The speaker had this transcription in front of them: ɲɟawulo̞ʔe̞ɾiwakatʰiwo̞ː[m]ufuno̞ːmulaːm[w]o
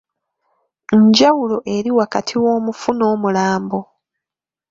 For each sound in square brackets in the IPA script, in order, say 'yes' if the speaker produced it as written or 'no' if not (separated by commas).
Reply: yes, no